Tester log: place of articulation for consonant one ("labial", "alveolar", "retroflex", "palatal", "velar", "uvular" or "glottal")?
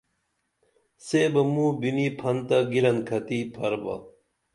alveolar